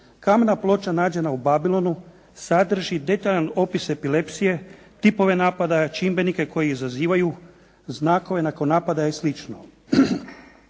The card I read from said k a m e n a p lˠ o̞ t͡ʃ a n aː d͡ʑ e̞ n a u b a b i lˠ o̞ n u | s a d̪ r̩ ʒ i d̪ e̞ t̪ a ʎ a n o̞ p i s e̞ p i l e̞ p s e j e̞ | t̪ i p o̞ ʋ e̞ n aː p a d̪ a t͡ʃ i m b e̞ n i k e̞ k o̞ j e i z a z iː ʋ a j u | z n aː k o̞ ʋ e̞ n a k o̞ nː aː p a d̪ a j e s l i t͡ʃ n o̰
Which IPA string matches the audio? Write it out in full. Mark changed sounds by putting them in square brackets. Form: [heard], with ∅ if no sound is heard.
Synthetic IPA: k a m e n a p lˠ o̞ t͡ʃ a n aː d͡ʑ e̞ n a u b a b i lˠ o̞ n u | s a d̪ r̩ ʒ i d̪ e̞ t̪ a ʎ a n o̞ p i s e̞ p i l e̞ p s [i] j e̞ | t̪ i p o̞ ʋ e̞ n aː p a d̪ a t͡ʃ i m b e̞ n i k e̞ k o̞ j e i z a z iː ʋ a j u | z n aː k o̞ ʋ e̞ n a k o̞ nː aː p a d̪ a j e s l i t͡ʃ n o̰

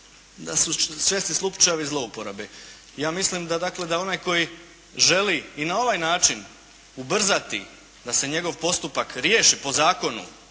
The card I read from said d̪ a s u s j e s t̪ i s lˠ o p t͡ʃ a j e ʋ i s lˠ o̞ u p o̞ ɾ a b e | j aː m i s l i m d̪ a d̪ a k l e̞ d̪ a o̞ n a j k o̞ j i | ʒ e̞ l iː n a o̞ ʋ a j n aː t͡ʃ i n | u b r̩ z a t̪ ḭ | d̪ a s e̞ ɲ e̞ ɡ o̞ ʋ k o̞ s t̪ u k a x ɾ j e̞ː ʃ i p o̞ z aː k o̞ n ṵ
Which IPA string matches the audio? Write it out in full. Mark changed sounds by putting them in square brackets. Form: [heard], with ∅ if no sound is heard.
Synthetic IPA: d̪ a s u s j e s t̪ i s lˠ [u] p t͡ʃ a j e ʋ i [z] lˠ o̞ u p o̞ ɾ a b e | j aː m i s l i m d̪ a d̪ a k l e̞ d̪ a o̞ n a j k o̞ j i | ʒ e̞ l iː n a o̞ ʋ a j n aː t͡ʃ i n | u b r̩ z a t̪ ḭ | d̪ a s e̞ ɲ e̞ ɡ o̞ ʋ [p] o̞ s t̪ u [p] a [k] ɾ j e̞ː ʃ i p o̞ z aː k o̞ n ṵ

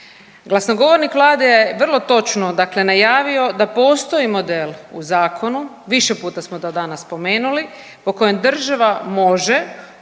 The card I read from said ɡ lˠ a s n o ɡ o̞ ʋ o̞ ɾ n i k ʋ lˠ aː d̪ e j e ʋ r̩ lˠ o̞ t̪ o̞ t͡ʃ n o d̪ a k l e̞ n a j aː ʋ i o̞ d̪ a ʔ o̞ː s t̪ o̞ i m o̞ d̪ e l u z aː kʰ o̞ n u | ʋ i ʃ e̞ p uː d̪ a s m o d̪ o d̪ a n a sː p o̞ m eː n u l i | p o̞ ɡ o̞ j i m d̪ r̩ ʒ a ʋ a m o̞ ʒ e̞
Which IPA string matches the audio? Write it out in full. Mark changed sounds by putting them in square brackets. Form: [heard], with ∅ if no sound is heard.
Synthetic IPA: ɡ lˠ a s n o ɡ o̞ ʋ o̞ ɾ n i k ʋ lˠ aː d̪ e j e ʋ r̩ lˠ o̞ t̪ o̞ t͡ʃ n o d̪ a k l e̞ n a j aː ʋ i o̞ d̪ a [p] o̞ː s t̪ o̞ i m o̞ d̪ e l u z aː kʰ o̞ n u | ʋ i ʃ e̞ p uː [t̪] a s m o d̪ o d̪ a n a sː p o̞ m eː n u l i | p o̞ [k] o̞ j [e] m d̪ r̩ ʒ a ʋ a m o̞ ʒ e̞

